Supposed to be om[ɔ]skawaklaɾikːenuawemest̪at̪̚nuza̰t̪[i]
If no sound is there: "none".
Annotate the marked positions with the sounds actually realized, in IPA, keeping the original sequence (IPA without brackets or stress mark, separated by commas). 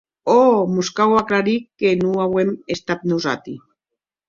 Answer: u, i